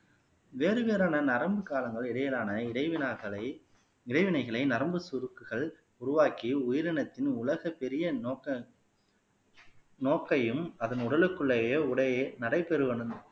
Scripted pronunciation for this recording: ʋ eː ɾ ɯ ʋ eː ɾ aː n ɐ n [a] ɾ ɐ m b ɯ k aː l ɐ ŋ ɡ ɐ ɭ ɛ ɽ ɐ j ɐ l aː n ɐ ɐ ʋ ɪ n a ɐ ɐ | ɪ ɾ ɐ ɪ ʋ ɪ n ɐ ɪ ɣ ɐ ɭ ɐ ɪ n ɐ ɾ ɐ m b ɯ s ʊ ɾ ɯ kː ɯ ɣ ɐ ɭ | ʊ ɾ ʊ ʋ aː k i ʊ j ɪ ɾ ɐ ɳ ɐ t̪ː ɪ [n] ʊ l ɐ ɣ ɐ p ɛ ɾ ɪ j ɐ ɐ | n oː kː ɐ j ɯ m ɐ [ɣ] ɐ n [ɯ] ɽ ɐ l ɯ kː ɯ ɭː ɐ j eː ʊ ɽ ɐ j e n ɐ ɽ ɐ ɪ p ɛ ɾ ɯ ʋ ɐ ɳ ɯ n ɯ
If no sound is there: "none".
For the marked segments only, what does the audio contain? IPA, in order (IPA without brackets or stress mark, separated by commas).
ɐ, n, ð, ʊ